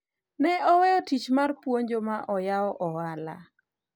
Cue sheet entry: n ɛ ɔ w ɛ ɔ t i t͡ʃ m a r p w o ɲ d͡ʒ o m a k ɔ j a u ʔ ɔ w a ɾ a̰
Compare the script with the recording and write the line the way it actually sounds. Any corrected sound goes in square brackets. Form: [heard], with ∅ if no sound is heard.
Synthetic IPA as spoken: n ɛ ɔ w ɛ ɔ t i t͡ʃ m a r p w o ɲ d͡ʒ o m a [ʔ] ɔ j a [ɔ] ʔ ɔ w a [l] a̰